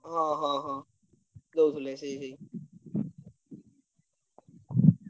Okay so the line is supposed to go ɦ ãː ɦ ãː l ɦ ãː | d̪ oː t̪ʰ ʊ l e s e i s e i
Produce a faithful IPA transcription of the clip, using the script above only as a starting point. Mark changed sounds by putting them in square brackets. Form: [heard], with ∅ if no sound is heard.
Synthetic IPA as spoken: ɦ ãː ɦ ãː [∅] ɦ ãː | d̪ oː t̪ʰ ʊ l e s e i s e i